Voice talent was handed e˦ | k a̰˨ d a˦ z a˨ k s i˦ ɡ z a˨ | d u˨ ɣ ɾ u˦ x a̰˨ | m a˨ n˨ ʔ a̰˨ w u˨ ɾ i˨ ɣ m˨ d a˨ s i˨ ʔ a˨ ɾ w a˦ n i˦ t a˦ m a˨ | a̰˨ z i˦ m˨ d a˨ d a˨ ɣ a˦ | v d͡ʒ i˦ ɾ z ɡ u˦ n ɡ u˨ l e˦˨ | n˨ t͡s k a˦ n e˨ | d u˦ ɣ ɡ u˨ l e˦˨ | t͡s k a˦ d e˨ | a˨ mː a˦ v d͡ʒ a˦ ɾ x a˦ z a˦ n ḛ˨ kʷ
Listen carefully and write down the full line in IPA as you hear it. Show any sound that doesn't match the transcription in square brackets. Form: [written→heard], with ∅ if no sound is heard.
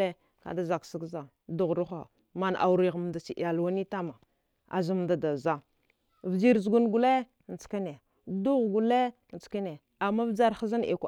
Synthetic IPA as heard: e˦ | k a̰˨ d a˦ z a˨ k s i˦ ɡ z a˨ | d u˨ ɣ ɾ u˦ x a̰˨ | m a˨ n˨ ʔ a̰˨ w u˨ ɾ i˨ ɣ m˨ d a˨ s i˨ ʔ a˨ [ɾ→l] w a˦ n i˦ t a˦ m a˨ | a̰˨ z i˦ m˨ d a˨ d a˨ [ɣ→z] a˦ | v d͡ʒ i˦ ɾ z ɡ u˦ n ɡ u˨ l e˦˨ | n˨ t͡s k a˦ n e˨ | d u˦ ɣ ɡ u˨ l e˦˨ | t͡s k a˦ [d→n] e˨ | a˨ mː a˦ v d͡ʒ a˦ ɾ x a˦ z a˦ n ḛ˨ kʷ